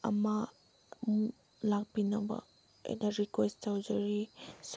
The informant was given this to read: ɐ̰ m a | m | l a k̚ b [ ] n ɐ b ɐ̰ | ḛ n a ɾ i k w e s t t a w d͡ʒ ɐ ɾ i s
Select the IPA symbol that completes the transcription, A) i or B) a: A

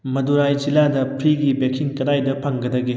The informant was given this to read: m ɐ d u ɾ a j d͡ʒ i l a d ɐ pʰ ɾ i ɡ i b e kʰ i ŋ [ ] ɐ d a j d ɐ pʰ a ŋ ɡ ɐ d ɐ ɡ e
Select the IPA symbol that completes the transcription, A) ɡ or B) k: B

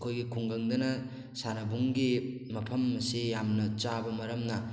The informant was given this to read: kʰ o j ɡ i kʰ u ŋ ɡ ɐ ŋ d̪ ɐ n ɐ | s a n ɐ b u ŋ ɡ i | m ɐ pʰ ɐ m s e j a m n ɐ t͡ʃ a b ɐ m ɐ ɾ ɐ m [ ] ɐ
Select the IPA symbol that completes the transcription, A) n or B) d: A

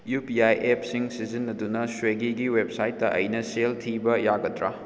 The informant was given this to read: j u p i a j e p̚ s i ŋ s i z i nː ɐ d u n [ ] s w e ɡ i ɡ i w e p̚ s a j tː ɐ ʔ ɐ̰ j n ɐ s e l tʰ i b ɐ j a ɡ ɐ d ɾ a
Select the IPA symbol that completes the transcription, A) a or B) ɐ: B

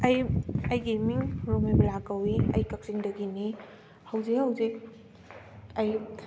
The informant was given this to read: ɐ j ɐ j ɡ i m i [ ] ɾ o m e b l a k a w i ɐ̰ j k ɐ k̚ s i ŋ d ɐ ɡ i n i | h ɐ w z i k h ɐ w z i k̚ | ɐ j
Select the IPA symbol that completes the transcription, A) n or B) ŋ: B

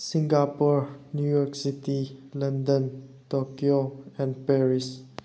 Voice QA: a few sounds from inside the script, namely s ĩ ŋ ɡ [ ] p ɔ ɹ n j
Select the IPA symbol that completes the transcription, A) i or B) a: B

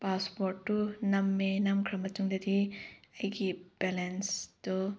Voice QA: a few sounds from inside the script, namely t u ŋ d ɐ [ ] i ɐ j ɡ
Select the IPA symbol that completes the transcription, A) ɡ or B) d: B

